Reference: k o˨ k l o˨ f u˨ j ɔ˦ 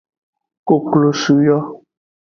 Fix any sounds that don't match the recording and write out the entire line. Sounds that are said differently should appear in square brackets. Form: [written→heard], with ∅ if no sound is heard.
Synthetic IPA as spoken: k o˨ k l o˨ [f→s] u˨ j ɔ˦